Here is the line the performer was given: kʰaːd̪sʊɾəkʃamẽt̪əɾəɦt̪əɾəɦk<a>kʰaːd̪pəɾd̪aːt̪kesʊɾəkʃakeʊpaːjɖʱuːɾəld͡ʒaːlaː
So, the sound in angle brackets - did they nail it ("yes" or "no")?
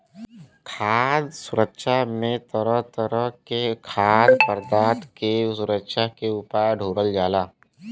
no